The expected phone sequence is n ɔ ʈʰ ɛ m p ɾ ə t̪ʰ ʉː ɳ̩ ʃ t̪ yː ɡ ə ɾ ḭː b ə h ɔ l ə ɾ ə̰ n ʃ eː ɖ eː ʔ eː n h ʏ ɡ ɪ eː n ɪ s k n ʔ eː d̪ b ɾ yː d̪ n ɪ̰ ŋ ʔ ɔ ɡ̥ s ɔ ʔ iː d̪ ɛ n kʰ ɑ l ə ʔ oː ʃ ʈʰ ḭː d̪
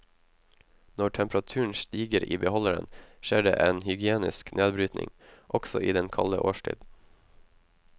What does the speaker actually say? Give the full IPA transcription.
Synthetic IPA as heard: n ɔ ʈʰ ɛ m p ɾ ɑ t̪ʰ ʉː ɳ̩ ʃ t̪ iː ɡ ə ɾ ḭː b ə h ɔ l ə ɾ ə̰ n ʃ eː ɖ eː ʔ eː n h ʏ ɡ ɪ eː n ɪ s k n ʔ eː d̪ b ɾ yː t̪ n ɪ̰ ŋ ʔ ɔ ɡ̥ s ɔ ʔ iː d̪ ɛ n kʰ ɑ l ə ʔ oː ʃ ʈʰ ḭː d̪